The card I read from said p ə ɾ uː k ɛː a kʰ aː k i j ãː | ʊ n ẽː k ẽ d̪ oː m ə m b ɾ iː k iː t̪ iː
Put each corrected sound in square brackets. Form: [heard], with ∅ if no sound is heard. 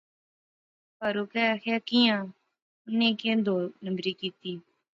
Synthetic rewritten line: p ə ɾ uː k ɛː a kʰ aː k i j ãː | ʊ n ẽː k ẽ d̪ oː [n] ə m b ɾ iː k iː t̪ iː